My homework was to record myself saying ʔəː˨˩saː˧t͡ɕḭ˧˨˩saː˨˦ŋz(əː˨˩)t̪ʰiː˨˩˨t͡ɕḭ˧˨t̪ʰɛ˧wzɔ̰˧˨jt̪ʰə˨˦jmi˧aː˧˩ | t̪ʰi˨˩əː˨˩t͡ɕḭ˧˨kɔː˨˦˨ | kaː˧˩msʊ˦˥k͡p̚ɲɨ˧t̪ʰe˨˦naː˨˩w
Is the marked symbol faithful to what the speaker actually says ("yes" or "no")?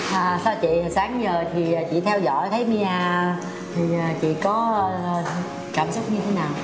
yes